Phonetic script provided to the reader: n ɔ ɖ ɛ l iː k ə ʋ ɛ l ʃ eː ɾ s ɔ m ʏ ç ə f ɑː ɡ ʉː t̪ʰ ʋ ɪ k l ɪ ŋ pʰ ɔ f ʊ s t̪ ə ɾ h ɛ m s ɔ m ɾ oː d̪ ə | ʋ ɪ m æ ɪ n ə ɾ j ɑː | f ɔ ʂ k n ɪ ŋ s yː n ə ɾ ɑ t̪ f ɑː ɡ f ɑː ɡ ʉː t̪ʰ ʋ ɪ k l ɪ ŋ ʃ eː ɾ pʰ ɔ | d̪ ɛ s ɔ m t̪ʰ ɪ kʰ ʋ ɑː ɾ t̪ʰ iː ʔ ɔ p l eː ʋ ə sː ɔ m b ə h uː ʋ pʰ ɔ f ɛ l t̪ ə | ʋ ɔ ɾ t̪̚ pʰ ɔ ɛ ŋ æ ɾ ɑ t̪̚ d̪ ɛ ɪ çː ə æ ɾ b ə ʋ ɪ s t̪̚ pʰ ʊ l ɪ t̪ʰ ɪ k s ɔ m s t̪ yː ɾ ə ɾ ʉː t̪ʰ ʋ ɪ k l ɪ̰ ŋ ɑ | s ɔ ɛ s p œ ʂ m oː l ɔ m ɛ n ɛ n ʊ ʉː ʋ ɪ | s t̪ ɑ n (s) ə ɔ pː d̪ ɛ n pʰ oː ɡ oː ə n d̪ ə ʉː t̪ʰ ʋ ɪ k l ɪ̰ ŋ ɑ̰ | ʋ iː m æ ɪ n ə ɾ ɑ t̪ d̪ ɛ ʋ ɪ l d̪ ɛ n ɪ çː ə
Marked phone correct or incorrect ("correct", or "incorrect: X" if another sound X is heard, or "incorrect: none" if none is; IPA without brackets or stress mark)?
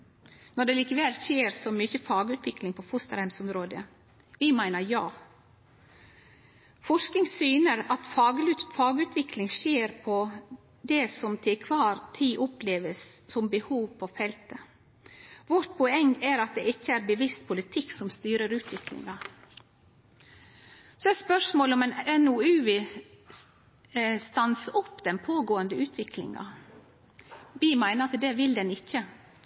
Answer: correct